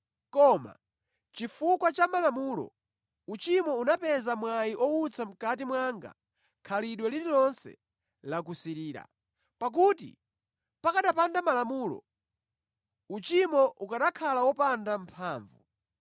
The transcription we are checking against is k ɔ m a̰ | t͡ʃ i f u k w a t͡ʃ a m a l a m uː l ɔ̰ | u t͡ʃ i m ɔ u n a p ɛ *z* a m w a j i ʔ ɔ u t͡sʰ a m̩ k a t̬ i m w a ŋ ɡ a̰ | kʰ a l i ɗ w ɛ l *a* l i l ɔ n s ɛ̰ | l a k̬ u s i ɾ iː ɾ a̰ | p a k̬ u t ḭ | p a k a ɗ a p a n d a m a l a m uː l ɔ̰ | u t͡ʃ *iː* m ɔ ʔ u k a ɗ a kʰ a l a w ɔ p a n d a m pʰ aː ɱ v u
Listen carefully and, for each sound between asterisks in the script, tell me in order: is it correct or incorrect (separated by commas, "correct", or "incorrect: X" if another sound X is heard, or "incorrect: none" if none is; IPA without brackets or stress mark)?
correct, incorrect: i, incorrect: i